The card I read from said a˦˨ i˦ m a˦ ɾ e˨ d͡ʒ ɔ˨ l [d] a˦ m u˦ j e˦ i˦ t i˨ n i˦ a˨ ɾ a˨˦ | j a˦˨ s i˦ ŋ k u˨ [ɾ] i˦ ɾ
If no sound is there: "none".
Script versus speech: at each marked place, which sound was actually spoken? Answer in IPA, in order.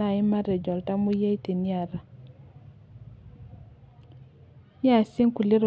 t, l

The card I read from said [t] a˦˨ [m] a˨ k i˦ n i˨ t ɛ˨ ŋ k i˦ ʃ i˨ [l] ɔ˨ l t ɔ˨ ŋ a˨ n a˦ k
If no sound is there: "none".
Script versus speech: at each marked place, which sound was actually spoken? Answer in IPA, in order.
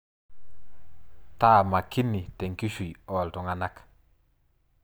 t, m, none

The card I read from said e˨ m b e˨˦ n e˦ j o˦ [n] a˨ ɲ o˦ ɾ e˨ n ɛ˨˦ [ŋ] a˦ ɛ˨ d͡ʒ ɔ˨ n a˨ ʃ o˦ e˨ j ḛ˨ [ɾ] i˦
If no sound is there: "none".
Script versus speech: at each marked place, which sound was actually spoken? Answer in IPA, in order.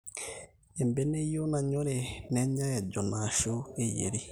n, ɲ, ɾ

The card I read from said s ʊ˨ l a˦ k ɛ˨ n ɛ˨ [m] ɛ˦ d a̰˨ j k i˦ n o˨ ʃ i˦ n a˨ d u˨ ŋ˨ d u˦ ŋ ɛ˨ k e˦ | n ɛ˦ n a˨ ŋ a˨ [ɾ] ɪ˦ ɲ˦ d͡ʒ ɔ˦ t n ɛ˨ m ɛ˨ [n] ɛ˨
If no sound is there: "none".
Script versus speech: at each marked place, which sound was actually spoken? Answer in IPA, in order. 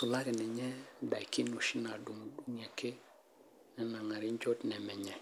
ɲ, ɾ, ɲ

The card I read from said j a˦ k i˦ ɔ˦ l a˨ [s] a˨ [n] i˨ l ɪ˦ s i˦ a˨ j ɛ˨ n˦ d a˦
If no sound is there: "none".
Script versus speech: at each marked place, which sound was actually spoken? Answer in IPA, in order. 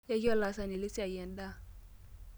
s, n

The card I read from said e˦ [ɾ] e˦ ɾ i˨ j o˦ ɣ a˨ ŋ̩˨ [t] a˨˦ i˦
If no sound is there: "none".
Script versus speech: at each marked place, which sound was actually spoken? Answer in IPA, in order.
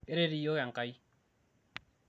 ɾ, k

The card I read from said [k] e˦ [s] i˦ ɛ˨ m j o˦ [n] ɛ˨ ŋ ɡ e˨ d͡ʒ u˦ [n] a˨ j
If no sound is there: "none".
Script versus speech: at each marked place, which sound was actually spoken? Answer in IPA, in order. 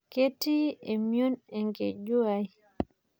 k, t, n, none

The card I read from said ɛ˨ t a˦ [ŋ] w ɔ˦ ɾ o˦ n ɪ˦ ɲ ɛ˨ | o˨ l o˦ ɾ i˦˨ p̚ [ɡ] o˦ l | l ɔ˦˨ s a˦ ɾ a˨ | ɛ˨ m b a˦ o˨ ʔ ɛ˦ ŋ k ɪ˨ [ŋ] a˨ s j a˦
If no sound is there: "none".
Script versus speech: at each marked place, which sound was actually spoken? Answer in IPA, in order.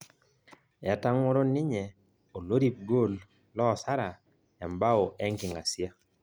ŋ, ɡ, ŋ

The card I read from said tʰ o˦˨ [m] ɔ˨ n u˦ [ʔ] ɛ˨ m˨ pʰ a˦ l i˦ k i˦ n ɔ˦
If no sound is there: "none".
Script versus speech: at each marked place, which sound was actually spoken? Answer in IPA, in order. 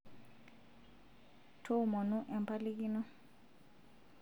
m, ʔ

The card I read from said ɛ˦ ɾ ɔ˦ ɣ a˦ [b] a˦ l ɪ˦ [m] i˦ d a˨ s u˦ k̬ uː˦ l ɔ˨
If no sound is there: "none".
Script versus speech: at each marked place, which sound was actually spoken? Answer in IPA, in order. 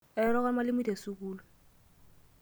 m, m

